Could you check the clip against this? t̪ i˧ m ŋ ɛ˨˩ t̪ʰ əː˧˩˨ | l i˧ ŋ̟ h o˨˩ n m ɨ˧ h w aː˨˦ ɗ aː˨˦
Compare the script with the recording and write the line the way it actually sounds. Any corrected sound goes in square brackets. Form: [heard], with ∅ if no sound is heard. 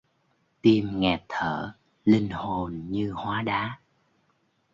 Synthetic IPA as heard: t̪ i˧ m ŋ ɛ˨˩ t̪ʰ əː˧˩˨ | l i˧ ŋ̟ h o˨˩ n [ɲ] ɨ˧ h w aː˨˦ ɗ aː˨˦